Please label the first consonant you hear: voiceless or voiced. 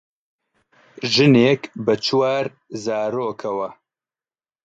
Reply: voiced